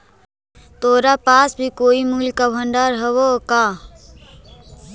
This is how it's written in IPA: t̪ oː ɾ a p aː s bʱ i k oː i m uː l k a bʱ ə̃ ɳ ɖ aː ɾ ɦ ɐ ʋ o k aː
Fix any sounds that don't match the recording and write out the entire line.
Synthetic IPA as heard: t̪ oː ɾ a p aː s bʱ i k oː i m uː l k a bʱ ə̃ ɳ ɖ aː ɾ ɦ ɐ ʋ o k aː